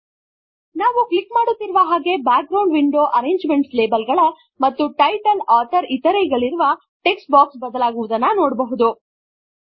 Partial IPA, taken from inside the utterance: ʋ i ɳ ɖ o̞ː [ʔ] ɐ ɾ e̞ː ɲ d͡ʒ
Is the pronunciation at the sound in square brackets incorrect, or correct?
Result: correct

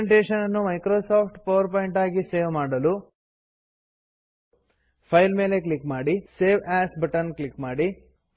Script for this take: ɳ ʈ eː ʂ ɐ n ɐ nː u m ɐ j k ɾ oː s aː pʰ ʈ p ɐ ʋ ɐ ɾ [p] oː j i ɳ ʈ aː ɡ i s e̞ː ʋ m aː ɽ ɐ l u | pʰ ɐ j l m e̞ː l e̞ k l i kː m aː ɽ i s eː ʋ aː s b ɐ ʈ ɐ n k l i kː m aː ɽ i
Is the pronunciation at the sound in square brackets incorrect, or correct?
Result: correct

